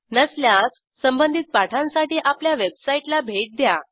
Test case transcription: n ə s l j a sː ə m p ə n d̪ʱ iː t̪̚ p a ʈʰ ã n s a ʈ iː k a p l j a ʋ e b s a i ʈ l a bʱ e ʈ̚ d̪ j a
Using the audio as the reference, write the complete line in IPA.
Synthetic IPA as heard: n ə s l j a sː ə m b ə n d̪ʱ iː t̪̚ p a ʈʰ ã n s a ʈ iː ʔ a p l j a ʋ e b s a i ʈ l a bʱ e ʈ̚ d̪ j a

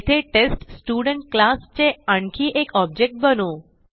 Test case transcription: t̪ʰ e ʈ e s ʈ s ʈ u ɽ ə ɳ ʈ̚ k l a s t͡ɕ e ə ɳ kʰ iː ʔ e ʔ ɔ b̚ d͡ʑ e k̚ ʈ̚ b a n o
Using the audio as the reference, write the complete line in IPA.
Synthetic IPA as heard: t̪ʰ e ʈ e s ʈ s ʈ u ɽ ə ɳ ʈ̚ k l a s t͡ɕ e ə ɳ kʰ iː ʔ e k ɔ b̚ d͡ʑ e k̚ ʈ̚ b ə n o

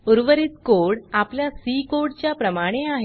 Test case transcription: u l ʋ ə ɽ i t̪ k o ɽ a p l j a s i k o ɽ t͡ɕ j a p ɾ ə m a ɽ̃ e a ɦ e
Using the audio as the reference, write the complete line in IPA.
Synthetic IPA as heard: u ɾ ʋ ə ɾ i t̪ k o ɽ a p l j a s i k o ɽ t͡ɕ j a p ɾ ə m a ɽ̃ e a ɦ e

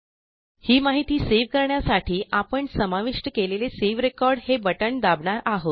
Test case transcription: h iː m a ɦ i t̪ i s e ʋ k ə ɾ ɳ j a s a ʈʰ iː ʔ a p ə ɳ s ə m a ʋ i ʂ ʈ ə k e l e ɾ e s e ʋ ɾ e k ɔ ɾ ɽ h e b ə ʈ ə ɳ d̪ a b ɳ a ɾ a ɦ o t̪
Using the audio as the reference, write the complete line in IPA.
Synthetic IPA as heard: h iː m a ɦ i t̪ iː s e ʋ k ə ɾ ɳ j a s a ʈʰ iː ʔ a p ə ɳ s ə m a ʋ i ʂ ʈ ə k e l e l e s e ʋ ɾ e k ɔ ɾ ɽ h e b ə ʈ ə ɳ d̪ a b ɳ a ɾ a ɦ o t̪

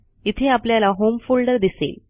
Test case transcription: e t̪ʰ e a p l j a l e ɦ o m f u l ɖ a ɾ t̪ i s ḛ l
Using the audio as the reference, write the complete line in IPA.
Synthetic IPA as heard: i t̪ʰ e a p l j a l a ɦ o m f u l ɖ ə ɾ d̪ i s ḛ l

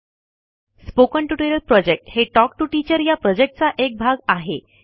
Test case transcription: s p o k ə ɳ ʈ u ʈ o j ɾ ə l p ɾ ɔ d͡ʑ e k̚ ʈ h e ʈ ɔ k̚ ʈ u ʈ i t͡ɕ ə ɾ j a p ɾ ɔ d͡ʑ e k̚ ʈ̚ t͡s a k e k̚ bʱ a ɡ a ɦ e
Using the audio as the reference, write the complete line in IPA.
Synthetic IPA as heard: s p o k ə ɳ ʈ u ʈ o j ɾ ə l p ɾ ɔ d͡ʑ e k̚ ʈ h e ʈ ɔ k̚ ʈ u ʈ i t͡ɕ ə ɾ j a p ɾ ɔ d͡ʑ e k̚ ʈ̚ t͡s a ʔ e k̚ bʱ a ɡ a ɦ e

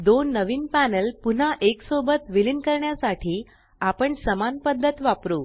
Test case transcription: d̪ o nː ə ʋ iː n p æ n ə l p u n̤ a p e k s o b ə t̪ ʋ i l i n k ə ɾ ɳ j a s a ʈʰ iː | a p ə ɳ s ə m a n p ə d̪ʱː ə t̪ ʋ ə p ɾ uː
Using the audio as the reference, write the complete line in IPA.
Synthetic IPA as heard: d̪ o nː ə ʋ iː n p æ n ə l p u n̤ a ʔ e k s o b ə t̪ ʋ i l i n k ə ɾ ɳ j a s a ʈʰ iː | a p ə ɳ s ə m a n p ə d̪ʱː ə t̪ ʋ a p ɾ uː

